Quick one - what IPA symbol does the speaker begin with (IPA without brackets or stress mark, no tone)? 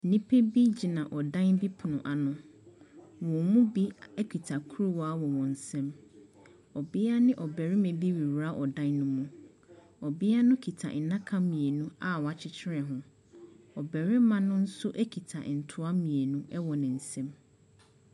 n